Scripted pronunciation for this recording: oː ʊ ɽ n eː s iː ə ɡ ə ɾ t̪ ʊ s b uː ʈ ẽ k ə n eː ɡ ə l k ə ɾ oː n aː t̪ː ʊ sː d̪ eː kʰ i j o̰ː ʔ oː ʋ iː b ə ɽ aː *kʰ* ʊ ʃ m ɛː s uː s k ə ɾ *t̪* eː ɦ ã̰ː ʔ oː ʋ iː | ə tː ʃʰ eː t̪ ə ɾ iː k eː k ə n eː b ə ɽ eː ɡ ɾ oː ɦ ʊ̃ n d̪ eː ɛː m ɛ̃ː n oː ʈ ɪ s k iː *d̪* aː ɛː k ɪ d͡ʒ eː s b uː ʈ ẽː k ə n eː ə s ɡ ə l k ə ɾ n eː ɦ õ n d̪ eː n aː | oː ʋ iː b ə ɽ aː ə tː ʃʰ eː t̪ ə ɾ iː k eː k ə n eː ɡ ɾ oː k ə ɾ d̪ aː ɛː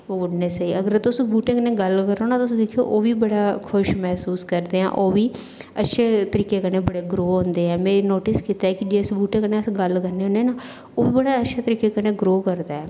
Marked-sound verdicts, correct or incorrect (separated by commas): correct, incorrect, incorrect